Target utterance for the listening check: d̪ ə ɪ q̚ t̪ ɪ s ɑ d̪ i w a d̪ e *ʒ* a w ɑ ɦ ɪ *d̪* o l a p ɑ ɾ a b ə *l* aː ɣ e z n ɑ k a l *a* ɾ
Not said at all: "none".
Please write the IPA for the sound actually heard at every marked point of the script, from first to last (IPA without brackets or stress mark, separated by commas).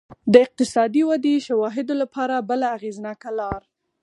ʃ, d̪, l, ɑ